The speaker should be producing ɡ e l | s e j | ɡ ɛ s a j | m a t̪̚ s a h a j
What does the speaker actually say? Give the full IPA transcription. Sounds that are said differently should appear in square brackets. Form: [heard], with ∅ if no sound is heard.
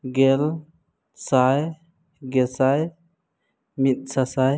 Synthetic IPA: ɡ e l | s [a] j | ɡ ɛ s a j | m [i] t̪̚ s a [s] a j